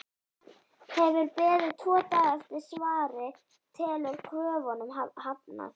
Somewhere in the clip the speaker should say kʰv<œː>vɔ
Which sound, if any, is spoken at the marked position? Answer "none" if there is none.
œː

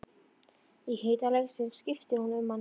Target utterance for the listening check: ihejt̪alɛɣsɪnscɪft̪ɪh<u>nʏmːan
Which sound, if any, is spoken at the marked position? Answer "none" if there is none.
u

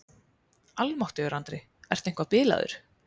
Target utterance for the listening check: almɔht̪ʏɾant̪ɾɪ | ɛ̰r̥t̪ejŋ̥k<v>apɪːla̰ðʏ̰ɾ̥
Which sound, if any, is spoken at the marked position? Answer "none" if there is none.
v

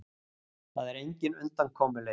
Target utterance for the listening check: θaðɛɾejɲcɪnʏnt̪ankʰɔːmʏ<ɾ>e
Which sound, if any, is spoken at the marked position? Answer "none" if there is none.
l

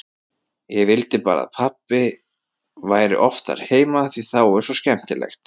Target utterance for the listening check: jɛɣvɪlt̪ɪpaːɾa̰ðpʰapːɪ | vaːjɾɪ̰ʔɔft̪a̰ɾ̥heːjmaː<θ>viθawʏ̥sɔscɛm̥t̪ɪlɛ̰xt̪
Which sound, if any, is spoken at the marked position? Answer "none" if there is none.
θ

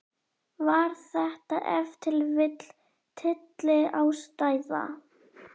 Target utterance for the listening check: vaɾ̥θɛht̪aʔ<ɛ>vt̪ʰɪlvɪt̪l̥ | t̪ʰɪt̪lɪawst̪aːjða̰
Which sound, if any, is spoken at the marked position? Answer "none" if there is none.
ɛ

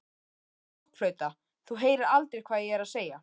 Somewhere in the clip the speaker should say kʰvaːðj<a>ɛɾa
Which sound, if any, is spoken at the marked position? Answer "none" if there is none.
ɛ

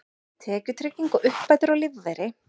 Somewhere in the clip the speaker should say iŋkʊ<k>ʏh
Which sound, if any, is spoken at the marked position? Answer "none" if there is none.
ʔ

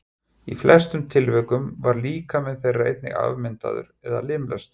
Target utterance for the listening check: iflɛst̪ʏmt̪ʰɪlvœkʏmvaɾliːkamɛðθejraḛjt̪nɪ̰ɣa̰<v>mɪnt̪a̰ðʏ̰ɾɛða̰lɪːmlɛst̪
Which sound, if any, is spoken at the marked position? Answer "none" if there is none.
v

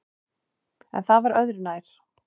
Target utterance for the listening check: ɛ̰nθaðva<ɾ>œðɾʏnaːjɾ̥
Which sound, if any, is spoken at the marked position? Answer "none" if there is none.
ɾ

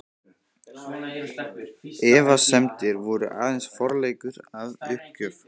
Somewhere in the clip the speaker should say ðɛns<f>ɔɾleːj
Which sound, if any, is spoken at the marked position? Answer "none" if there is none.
f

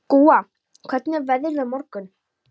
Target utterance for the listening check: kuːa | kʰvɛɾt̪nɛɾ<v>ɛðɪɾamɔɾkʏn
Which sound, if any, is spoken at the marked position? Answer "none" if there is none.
v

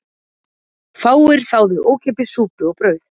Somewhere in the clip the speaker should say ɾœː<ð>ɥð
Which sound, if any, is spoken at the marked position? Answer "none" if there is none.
none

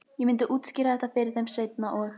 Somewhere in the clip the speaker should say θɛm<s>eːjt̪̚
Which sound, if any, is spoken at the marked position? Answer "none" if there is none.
s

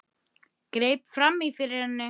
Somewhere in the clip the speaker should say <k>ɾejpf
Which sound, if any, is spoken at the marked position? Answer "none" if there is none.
k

